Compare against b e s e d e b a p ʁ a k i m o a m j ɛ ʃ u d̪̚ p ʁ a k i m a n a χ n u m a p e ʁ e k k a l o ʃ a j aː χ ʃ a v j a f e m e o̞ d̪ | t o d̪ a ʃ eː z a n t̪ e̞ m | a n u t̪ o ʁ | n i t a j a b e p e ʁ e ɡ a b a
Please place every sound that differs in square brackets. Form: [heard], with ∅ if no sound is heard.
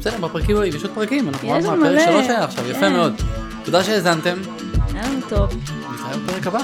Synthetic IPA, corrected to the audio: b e s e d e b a p ʁ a k i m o [i] m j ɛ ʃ [o] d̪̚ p ʁ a k i m a n a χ n u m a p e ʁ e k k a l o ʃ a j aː χ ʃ a v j a f e m e o̞ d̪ | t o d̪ a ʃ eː z a n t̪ e̞ m | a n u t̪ o [v] | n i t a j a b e p e ʁ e [k] a b a